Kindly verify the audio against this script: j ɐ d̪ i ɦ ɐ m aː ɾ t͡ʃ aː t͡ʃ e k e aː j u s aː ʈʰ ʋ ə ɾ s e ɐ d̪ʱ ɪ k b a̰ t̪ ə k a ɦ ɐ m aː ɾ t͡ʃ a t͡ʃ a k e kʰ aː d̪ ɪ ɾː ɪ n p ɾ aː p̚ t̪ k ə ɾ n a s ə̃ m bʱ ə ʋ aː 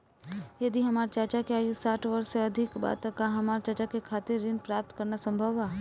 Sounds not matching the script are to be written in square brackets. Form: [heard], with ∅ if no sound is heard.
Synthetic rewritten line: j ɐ d̪ i ɦ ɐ m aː ɾ t͡ʃ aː t͡ʃ [a] k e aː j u s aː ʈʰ ʋ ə ɾ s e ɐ d̪ʱ ɪ k b a̰ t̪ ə k a ɦ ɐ m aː ɾ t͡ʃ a t͡ʃ a k e kʰ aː [t̪] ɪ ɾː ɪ n p ɾ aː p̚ t̪ k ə ɾ n a s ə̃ m bʱ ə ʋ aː